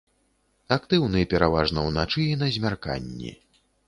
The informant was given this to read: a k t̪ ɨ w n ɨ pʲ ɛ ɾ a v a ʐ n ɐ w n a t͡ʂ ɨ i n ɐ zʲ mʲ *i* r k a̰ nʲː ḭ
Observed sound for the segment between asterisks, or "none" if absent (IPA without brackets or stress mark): a